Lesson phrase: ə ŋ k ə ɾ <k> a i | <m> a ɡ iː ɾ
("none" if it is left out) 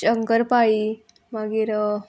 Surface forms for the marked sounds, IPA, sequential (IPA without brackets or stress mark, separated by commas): p, m